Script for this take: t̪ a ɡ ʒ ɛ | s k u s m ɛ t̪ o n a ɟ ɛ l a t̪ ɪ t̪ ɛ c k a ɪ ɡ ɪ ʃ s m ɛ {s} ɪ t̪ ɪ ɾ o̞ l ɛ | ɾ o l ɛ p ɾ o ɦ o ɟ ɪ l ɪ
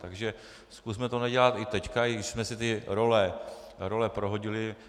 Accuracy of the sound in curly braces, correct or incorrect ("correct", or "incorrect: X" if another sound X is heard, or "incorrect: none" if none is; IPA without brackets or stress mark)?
correct